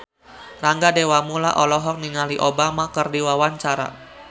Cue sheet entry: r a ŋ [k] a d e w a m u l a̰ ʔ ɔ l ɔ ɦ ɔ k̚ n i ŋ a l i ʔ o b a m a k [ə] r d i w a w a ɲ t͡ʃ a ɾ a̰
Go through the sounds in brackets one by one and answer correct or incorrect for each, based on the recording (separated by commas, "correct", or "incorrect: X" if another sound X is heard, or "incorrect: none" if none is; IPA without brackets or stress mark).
incorrect: ɡ, correct